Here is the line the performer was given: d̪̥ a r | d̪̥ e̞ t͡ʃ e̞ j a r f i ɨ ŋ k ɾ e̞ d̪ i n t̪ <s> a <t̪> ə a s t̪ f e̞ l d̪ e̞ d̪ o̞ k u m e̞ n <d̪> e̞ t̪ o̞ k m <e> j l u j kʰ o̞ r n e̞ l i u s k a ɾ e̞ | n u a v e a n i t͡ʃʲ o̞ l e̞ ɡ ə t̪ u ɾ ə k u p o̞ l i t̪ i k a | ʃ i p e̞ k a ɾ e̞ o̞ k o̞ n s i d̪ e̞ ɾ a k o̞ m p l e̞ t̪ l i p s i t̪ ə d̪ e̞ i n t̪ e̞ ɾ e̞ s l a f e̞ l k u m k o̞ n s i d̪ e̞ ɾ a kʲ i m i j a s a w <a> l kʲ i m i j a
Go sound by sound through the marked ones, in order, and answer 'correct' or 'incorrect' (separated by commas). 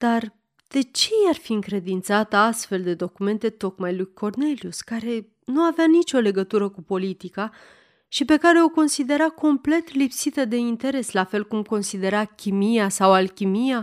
correct, correct, incorrect, incorrect, correct